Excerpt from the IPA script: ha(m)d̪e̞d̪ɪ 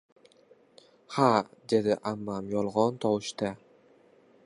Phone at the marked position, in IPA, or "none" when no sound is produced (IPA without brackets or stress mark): none